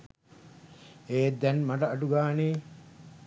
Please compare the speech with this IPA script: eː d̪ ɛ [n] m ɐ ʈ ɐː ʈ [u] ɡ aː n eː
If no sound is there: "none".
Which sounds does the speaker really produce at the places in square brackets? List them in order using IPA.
n, u

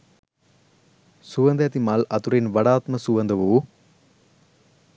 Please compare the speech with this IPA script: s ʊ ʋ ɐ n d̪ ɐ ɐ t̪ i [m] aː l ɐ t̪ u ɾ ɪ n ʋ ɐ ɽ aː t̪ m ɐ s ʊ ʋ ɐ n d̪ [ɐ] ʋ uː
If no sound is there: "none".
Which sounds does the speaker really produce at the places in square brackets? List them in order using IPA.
m, ɐ

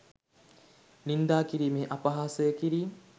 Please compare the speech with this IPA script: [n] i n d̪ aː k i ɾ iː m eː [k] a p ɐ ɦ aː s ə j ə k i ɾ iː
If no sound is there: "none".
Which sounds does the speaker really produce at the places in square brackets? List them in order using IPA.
n, ʔ

